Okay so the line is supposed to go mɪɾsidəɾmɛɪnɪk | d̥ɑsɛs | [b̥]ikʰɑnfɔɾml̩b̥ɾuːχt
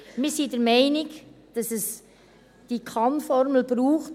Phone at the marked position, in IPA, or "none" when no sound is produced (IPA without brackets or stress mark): d̥